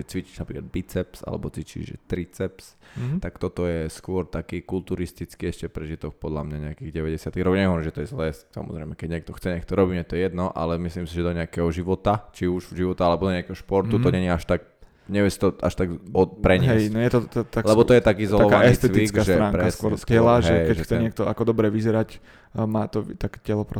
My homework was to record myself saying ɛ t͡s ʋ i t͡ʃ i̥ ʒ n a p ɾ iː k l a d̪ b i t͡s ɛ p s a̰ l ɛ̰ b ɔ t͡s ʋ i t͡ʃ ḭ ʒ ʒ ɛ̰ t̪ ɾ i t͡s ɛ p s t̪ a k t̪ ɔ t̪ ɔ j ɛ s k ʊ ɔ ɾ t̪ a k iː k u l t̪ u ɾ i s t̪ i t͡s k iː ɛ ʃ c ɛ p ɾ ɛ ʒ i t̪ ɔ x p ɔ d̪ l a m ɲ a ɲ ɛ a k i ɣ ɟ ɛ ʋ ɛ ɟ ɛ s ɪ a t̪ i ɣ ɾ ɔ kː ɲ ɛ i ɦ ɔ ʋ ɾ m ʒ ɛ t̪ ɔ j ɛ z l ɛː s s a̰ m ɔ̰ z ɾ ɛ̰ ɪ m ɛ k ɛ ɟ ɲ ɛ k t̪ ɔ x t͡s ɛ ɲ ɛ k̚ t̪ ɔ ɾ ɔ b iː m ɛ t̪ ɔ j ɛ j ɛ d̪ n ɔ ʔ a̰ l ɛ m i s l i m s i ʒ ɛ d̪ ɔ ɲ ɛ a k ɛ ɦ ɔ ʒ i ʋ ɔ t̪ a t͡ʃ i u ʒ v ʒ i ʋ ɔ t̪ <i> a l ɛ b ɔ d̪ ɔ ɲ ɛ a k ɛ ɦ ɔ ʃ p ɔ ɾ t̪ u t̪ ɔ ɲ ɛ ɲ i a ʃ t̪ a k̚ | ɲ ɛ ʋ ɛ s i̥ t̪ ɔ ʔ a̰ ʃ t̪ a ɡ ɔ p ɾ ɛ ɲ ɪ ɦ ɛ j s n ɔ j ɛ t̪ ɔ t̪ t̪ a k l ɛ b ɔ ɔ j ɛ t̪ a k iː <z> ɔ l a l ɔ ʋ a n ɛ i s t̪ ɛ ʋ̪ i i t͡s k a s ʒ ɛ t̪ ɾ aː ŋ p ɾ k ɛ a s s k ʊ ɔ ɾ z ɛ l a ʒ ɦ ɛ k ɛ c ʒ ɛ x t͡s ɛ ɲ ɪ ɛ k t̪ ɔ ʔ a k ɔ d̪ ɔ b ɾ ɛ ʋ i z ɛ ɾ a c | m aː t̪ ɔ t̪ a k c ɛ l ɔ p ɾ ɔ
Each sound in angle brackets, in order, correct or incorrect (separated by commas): incorrect, correct